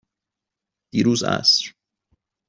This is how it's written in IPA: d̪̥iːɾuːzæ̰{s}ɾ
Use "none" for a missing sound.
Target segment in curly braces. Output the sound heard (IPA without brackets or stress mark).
s